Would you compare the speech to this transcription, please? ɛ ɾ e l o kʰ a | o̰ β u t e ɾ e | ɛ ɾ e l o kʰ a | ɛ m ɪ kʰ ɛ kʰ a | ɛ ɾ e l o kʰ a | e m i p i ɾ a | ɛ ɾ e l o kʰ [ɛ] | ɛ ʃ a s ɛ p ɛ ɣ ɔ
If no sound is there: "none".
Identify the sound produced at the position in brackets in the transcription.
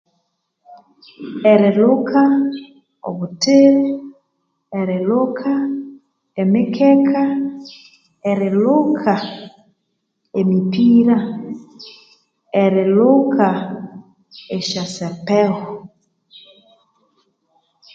a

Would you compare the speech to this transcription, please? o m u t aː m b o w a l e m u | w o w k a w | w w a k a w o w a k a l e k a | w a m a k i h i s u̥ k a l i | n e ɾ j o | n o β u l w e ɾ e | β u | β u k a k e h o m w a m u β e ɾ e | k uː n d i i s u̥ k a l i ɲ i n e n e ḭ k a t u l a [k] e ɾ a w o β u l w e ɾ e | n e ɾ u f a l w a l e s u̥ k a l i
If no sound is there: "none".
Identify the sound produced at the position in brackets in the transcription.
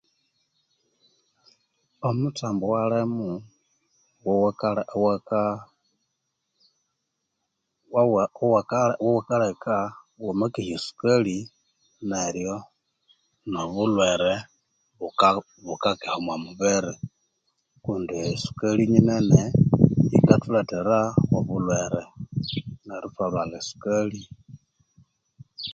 t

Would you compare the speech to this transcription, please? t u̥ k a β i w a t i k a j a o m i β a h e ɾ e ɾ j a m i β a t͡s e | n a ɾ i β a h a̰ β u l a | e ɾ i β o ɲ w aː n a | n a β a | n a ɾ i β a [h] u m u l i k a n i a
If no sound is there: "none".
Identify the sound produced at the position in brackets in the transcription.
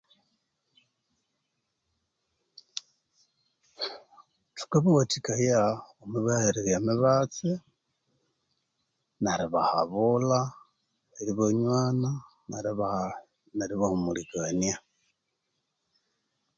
h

